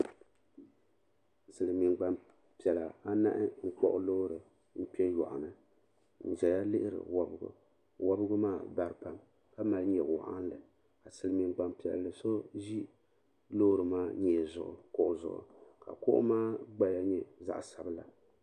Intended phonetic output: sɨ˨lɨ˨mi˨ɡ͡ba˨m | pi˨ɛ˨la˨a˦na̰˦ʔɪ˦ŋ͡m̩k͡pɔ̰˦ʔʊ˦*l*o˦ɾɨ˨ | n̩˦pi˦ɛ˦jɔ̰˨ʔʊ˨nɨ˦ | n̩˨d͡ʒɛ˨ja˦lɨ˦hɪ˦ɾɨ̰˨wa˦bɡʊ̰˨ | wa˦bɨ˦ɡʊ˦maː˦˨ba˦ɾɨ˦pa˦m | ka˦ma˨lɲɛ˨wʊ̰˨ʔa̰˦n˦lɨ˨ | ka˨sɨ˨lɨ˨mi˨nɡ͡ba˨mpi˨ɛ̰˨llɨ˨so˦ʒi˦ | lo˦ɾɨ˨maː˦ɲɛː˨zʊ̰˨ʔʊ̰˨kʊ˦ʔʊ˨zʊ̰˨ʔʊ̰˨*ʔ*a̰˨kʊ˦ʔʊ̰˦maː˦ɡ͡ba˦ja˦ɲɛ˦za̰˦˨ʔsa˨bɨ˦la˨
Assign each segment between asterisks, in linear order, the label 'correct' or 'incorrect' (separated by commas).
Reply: correct, incorrect